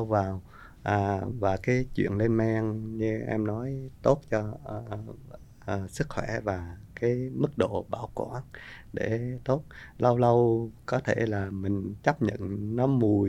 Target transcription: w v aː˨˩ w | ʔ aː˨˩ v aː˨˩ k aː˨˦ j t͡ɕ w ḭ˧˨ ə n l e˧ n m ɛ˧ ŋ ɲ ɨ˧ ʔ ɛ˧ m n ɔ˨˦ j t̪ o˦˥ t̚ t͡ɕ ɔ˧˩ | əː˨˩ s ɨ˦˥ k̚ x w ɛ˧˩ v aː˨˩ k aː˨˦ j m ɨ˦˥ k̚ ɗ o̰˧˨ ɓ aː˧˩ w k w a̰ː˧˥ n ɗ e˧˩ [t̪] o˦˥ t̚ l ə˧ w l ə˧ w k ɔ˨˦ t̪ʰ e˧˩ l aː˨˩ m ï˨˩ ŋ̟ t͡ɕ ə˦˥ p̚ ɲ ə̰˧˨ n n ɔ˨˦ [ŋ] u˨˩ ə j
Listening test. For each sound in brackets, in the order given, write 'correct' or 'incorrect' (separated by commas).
correct, incorrect